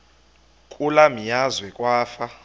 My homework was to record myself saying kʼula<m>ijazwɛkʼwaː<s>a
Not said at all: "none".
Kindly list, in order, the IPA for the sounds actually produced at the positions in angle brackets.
m, f

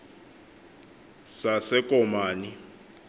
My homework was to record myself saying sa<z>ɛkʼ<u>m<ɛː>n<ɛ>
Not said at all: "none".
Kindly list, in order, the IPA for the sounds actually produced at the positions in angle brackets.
s, ɔ, aː, i

